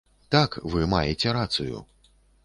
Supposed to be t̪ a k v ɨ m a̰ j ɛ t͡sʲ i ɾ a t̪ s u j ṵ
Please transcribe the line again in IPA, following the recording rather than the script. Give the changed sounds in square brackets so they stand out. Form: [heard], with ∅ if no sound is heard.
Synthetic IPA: t̪ a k v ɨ m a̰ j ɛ t͡sʲ [ɛ] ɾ a t̪ s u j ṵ